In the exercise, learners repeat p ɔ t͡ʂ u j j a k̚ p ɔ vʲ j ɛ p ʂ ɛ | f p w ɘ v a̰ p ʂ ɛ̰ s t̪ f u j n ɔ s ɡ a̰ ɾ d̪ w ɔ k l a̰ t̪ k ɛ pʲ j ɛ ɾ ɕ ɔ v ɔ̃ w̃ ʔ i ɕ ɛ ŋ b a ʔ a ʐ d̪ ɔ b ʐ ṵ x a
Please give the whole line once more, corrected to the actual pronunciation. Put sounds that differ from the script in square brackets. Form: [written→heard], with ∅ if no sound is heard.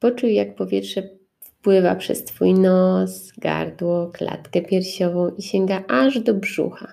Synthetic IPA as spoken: p ɔ t͡ʂ u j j a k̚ p ɔ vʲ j ɛ [p→t] ʂ ɛ | f p w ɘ v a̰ p ʂ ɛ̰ s t̪ f u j n ɔ s ɡ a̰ ɾ d̪ w ɔ k l a̰ t̪ k ɛ pʲ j ɛ ɾ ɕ ɔ v ɔ̃ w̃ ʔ i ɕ ɛ ŋ [b→ɡ] a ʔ a ʐ d̪ ɔ b ʐ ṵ x a